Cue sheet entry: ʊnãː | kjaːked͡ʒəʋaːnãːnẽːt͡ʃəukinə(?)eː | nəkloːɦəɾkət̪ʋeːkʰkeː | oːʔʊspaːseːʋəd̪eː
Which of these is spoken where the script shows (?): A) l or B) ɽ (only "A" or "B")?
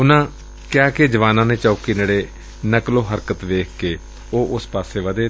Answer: B